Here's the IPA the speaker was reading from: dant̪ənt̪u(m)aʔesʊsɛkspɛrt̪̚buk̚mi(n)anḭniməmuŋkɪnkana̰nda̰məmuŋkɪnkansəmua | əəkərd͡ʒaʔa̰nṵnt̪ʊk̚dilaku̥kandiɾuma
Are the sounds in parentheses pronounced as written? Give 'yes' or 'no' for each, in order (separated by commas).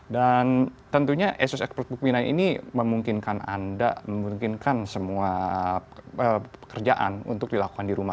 no, yes